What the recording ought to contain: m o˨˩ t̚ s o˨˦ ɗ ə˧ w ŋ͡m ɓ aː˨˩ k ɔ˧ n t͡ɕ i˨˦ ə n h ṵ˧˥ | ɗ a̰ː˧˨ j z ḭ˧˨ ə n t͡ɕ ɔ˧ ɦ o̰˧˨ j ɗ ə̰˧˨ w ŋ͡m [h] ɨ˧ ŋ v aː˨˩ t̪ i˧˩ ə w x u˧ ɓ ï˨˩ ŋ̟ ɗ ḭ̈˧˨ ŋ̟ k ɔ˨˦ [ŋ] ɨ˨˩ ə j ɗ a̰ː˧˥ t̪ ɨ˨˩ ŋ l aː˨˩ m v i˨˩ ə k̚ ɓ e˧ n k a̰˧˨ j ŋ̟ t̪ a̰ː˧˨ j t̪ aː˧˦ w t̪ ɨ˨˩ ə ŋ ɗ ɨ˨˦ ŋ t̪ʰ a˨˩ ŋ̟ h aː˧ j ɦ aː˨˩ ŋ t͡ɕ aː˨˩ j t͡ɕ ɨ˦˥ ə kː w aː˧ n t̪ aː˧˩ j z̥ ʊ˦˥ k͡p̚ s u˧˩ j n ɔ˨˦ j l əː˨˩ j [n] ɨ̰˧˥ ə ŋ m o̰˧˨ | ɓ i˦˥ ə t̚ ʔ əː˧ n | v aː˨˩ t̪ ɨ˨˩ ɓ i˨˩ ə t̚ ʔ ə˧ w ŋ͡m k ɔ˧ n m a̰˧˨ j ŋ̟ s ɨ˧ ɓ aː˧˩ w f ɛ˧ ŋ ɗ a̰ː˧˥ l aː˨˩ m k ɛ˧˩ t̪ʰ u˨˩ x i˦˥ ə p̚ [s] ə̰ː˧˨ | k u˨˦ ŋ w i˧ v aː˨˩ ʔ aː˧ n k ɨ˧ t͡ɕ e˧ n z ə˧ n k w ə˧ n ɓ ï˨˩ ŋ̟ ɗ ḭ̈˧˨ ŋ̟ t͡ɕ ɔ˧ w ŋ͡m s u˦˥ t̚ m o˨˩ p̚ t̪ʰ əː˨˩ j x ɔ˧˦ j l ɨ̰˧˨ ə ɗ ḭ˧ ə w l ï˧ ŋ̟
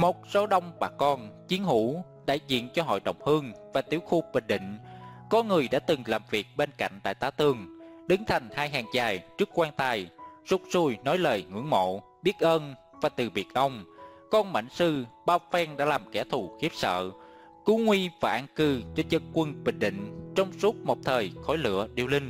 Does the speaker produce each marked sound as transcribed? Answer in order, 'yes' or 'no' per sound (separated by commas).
yes, yes, no, yes